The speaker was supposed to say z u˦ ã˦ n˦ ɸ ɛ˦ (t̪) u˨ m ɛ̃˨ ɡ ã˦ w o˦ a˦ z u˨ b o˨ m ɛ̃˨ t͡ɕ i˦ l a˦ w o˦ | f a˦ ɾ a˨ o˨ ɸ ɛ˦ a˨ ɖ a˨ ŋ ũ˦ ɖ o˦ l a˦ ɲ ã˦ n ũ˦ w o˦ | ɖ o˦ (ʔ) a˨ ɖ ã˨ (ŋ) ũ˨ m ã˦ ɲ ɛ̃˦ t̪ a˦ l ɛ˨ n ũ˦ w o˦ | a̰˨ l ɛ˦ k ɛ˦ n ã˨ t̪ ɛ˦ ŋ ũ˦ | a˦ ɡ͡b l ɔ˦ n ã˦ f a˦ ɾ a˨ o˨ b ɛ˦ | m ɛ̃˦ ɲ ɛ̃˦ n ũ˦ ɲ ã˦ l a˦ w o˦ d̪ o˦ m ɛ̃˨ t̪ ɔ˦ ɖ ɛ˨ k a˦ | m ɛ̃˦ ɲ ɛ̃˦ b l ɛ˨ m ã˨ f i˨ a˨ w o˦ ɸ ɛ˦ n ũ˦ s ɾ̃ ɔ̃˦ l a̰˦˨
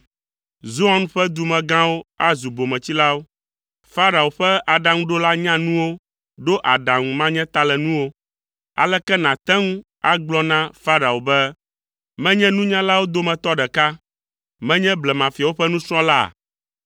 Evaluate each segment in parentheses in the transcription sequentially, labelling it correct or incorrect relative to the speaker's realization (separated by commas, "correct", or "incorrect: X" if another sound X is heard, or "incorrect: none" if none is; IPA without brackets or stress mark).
incorrect: d̪, correct, correct